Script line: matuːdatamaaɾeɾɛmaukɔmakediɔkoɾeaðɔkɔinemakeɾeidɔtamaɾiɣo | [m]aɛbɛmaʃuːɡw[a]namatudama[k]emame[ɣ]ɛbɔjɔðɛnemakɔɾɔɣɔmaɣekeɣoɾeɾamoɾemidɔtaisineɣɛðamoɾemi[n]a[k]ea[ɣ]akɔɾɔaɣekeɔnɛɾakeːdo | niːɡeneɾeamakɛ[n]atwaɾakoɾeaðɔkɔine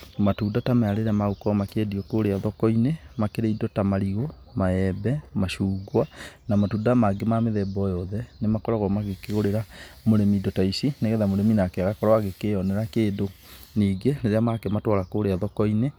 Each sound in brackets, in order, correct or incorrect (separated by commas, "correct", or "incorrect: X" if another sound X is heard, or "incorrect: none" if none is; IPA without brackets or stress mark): correct, correct, incorrect: ɡ, incorrect: ð, correct, correct, correct, incorrect: m